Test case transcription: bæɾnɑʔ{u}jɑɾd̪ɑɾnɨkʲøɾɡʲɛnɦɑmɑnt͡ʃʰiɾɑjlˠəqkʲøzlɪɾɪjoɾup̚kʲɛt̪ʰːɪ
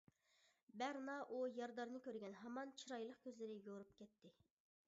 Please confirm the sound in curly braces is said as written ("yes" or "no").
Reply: yes